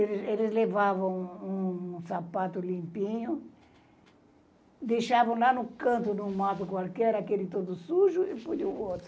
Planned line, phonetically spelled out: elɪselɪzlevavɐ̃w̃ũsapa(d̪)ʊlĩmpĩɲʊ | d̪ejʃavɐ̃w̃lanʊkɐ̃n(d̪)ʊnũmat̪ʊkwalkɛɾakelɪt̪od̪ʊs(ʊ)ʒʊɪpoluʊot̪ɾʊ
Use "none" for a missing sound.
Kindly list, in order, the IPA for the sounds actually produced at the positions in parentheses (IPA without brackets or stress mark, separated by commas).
t̪, t̪, u